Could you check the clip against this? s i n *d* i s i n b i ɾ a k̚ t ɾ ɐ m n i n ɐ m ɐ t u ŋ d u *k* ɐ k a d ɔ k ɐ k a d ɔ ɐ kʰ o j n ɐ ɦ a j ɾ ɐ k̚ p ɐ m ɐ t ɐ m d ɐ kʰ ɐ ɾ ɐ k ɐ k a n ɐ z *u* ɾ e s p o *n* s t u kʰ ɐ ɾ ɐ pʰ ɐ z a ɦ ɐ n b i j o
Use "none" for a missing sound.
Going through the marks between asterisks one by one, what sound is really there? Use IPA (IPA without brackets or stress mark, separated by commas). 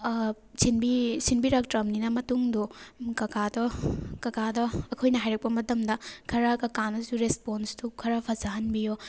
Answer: b, k, u, n